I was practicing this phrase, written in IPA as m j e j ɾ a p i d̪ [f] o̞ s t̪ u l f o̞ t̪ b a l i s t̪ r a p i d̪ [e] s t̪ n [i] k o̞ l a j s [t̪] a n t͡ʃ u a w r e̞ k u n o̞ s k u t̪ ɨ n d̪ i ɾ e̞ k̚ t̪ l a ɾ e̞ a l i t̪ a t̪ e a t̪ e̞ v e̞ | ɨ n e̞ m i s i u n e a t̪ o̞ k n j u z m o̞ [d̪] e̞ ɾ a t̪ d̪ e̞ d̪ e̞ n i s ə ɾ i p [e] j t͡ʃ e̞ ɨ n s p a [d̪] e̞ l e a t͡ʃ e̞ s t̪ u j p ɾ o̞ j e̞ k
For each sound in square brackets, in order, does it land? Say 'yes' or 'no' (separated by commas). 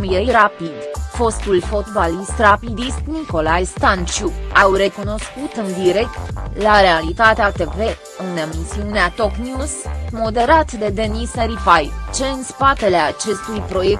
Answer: yes, no, yes, yes, yes, no, no